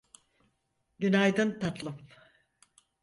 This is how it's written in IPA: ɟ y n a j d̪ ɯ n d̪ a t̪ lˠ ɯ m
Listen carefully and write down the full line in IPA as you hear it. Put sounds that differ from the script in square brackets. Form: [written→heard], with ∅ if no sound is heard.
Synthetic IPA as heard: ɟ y n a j d̪ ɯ n [d̪→t̪] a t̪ lˠ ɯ m